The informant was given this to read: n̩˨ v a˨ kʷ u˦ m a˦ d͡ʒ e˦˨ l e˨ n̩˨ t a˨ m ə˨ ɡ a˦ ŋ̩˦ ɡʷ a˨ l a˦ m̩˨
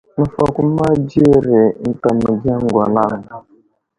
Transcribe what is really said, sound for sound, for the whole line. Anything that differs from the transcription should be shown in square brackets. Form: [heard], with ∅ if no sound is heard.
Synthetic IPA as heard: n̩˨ [f] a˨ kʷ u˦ m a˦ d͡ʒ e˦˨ [ɾ] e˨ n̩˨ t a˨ m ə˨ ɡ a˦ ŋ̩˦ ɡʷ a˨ l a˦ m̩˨